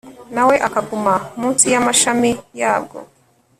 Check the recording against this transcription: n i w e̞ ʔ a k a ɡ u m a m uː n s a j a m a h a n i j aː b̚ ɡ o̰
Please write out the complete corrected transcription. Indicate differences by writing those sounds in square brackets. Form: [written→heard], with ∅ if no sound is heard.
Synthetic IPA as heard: n [i→a] w e̞ ʔ a k a ɡ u m a m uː n s [a→i] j a m a [h→ʃ] a [n→m] i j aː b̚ ɡ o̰